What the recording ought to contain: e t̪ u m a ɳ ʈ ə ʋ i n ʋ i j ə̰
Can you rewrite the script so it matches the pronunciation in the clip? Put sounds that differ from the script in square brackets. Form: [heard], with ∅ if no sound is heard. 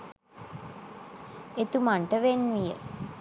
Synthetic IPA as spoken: e t̪ u m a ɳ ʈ ə ʋ [e] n ʋ i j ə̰